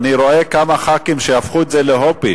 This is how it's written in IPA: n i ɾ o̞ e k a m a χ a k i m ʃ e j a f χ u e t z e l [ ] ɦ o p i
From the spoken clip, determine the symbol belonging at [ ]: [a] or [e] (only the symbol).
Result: e